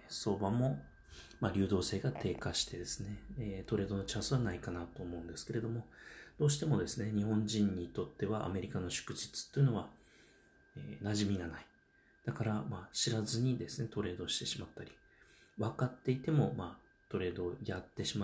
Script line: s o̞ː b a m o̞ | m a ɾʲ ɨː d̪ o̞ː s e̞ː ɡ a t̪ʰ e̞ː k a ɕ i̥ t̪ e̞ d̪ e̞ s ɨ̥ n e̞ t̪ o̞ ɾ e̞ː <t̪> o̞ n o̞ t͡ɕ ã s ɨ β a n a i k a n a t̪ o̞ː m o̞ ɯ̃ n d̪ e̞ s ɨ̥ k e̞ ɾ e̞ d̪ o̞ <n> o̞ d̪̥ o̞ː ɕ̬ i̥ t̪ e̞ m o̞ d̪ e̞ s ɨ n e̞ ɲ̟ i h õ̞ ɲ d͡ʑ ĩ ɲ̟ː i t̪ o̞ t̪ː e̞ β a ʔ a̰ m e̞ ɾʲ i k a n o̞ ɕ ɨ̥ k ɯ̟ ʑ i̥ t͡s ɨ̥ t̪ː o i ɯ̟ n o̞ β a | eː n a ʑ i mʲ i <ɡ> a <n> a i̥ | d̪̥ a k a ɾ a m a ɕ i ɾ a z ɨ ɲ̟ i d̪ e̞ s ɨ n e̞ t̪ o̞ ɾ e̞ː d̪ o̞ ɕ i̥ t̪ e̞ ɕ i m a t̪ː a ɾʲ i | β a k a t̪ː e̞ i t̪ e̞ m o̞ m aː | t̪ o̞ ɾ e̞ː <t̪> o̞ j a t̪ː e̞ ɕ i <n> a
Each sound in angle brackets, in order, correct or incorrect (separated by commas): incorrect, incorrect, correct, correct, incorrect, incorrect